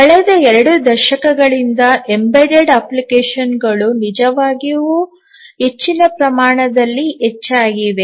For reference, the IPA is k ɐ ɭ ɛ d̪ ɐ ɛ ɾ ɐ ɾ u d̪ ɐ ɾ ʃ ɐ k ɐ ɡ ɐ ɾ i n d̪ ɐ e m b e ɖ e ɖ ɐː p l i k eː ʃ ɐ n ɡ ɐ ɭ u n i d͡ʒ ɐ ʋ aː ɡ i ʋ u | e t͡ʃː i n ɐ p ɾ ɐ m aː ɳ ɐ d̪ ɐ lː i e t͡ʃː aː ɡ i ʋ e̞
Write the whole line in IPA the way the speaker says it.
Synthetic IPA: k ɐ ɭ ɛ d̪ ɐ ɛ ɾ ɐ ɽ u d̪ ɐ ɾ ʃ ɐ k ɐ ɡ ɐ ɭ i n d̪ ɐ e m b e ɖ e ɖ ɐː p l i k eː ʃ ɐ n ɡ ɐ ɭ u n i d͡ʒ ɐ ʋ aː ɡ i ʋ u | e t͡ʃː i n ɐ p ɾ ɐ m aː ɳ ɐ d̪ ɐ lː i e t͡ʃː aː ɡ i ʋ e̞